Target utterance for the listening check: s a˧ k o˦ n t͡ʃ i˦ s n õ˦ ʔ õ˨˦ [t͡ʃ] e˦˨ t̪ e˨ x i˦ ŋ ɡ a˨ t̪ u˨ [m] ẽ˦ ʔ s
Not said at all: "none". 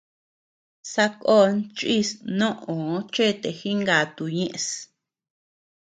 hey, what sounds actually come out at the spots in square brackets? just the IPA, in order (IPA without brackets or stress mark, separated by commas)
t͡ʃ, ɲ